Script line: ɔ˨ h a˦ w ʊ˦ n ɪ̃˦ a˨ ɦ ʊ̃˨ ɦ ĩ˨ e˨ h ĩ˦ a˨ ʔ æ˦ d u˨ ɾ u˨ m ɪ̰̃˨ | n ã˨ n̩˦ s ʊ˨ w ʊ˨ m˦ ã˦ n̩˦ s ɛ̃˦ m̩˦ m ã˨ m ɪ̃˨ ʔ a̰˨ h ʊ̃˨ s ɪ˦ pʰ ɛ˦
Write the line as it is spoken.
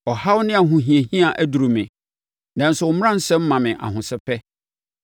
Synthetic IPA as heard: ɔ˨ h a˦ w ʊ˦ n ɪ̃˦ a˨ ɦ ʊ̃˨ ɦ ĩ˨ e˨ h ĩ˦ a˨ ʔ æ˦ d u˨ ɾ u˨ m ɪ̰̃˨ | n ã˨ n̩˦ s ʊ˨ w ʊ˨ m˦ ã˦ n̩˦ s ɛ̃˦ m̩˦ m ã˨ m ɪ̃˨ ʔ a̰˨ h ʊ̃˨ s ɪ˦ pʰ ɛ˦